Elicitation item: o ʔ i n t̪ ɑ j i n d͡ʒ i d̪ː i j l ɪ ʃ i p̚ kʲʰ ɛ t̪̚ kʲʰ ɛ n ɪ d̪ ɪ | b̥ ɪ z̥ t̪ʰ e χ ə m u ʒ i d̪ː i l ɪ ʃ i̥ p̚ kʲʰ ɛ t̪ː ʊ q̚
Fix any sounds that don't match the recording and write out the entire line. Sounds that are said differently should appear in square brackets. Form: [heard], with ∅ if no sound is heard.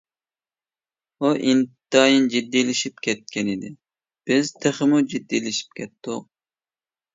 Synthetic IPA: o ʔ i n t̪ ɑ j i n d͡ʒ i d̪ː i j l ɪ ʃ i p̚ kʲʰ ɛ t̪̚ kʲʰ ɛ n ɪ d̪ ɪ | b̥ ɪ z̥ t̪ʰ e χ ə m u [d͡ʒ] i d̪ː i l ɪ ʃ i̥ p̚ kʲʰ ɛ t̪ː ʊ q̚